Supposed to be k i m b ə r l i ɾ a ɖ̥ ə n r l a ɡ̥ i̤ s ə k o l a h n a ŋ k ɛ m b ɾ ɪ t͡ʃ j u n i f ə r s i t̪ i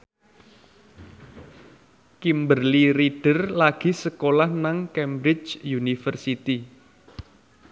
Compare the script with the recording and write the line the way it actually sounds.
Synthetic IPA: k i m b ə r l i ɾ i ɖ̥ ə r l a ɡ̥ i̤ s ə k o l a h n a ŋ k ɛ m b ɾ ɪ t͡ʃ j u n i f ə r s i t̪ i